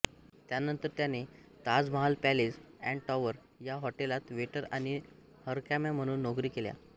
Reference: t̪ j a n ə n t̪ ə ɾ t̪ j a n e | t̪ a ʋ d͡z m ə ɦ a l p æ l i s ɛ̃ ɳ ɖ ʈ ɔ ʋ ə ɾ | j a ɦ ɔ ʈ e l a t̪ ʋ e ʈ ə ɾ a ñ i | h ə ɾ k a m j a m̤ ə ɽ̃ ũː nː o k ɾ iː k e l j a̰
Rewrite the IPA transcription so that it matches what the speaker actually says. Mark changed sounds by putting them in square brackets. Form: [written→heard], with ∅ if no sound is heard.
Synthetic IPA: t̪ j a n ə n t̪ ə ɾ t̪ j a n e | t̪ a [ʋ→∅] d͡z m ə ɦ a l p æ l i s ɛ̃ ɳ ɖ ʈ ɔ ʋ ə ɾ | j a ɦ ɔ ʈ e l a t̪ ʋ e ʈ ə ɾ a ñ i | h ə ɾ k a m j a m̤ ə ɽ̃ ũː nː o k ɾ iː k e l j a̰

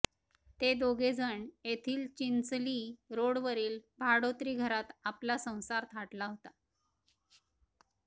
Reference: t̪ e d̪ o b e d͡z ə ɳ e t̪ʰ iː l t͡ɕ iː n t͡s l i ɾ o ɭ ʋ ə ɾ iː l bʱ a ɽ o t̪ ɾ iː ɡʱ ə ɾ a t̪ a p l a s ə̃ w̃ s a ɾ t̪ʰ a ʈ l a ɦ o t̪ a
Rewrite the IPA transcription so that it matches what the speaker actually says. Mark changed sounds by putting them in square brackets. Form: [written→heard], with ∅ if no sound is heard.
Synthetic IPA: t̪ e d̪ o [b→ɡ] e d͡z ə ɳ e t̪ʰ iː l t͡ɕ [iː→i] n t͡s l i ɾ o [ɭ→ɽ] ʋ ə ɾ iː l bʱ a ɽ o t̪ ɾ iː ɡʱ ə ɾ a t̪ a p l a s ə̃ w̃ s a ɾ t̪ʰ a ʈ l a ɦ o t̪ a

